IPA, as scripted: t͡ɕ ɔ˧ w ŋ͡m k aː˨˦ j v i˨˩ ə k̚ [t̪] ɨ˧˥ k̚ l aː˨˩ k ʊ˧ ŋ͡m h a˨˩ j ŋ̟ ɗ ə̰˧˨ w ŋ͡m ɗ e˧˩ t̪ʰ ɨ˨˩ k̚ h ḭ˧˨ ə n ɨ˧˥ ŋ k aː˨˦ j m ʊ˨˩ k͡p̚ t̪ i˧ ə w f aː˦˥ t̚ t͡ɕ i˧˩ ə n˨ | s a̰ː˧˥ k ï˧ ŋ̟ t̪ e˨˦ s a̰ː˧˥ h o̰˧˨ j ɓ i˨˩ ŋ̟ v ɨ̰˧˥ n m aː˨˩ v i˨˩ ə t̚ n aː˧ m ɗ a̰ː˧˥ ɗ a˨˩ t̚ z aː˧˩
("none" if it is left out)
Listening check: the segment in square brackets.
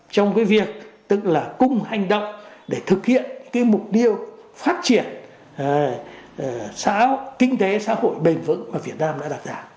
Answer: t̪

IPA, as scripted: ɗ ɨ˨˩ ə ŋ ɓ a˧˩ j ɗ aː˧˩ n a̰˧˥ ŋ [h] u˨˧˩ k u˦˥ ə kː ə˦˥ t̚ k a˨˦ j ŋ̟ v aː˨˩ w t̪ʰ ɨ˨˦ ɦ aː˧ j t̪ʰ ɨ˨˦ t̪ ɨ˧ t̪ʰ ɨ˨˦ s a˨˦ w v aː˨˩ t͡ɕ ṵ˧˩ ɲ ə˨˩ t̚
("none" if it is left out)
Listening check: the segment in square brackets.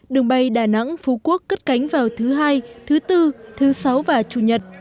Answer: f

